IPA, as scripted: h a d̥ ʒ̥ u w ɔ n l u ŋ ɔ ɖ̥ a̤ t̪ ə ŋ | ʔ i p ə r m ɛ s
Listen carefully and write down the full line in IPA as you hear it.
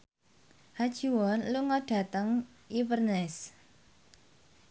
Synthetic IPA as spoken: h a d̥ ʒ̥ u w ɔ n l u ŋ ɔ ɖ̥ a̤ t̪ ə ŋ | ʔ i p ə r n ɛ s